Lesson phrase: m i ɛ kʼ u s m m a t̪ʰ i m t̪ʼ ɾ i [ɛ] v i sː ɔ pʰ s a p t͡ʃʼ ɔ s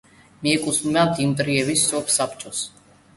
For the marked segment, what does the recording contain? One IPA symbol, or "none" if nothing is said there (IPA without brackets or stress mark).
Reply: ɛ